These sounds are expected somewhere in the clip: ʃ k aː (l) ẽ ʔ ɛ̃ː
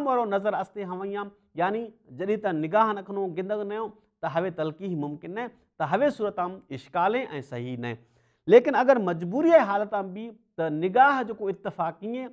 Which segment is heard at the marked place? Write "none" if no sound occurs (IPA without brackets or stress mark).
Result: l